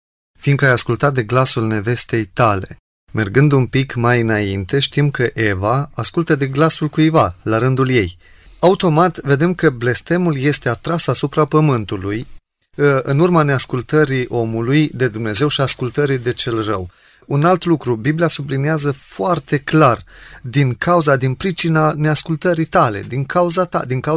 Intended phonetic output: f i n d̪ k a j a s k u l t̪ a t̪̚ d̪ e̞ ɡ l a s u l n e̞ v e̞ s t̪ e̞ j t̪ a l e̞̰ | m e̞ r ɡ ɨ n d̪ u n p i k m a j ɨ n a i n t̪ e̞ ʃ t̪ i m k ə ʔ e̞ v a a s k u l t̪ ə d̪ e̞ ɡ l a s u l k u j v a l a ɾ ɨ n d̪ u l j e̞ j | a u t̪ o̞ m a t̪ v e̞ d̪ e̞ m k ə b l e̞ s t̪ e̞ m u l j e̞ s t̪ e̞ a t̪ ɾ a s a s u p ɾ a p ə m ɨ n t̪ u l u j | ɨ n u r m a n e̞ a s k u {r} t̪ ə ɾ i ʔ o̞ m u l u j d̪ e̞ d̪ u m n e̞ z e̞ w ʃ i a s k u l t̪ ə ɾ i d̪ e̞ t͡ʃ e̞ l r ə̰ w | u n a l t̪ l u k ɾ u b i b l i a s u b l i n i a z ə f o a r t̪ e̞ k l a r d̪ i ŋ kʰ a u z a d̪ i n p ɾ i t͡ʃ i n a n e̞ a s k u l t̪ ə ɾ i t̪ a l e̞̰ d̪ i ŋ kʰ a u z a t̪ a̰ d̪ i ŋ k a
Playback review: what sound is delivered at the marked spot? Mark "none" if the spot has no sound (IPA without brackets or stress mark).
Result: l